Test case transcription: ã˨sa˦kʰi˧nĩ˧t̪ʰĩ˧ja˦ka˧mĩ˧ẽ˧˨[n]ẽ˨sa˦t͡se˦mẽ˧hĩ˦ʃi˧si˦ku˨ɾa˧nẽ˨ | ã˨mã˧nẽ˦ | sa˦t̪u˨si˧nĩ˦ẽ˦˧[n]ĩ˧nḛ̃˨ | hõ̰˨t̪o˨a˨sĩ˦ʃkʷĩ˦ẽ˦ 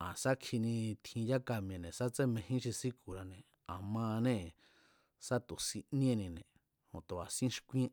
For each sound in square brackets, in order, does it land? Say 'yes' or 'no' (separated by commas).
yes, yes